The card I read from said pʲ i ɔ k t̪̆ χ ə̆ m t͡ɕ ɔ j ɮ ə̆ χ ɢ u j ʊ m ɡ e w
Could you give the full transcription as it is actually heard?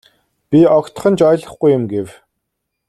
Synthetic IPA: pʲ i ɔ k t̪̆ χ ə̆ n t͡ɕ ɔ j ɮ ə̆ χ ɡ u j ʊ m ɡ e w